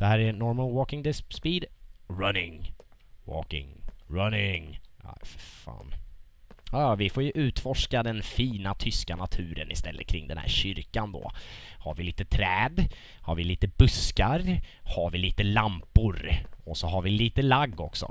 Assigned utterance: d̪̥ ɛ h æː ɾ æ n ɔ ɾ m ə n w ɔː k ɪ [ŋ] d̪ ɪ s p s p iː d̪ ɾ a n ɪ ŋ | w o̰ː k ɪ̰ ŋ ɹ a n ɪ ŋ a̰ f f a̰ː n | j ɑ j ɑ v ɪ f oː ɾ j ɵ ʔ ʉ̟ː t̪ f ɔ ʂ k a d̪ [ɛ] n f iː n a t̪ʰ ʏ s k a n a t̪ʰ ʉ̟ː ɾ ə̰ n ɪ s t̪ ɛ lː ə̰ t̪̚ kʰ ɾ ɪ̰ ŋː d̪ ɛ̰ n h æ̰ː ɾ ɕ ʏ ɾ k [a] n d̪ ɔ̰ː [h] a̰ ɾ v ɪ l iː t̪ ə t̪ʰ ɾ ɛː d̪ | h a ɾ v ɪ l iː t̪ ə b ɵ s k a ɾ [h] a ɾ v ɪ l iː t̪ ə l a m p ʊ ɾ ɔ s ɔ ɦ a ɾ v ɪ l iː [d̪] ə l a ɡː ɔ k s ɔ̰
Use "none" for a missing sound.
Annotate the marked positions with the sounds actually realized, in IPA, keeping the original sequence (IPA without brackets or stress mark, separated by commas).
ŋ, ɛ, a, h, h, t̪